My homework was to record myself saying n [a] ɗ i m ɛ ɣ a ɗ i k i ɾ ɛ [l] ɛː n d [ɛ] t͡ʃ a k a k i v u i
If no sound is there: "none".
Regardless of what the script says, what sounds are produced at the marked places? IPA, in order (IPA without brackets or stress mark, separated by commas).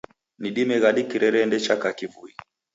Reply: i, ɾ, ɛ